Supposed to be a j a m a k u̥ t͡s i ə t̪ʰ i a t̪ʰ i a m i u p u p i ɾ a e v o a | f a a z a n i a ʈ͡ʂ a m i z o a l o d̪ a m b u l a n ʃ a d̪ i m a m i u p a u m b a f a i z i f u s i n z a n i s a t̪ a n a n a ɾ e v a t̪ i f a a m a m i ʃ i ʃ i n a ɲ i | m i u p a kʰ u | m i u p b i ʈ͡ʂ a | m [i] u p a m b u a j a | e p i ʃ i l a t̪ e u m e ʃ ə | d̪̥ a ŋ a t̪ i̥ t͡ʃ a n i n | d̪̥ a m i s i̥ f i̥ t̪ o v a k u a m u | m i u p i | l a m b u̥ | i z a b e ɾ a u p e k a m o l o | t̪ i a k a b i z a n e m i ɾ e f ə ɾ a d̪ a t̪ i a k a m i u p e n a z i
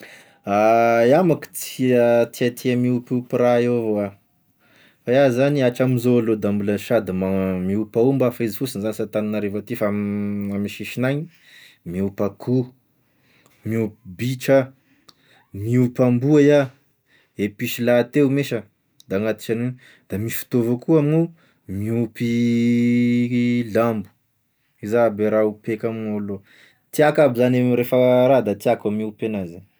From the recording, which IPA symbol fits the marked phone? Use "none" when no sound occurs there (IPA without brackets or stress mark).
i